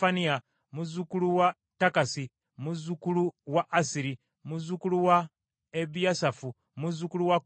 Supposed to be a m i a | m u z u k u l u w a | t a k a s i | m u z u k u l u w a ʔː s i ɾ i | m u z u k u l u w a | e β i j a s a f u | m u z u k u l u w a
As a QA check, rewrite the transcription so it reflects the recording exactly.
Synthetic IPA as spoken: a n i a | m u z u k u l u w a | t a k a s i | m u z u k u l u w a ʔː s i ɾ i | m u z u k u l u w a | e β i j a s a f u | m u z u k u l u w a